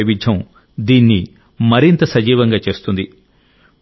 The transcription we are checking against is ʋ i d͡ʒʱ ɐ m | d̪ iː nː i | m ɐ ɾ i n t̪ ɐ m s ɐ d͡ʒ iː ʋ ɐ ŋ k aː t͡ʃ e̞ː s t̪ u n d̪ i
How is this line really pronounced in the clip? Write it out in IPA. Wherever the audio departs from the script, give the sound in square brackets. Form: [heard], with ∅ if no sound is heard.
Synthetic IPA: ʋ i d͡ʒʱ ɐ m | d̪ iː nː i | m ɐ ɾ i n t̪ ɐ [∅] s ɐ d͡ʒ iː ʋ ɐ ŋ [ɡ] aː t͡ʃ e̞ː s t̪ u n d̪ i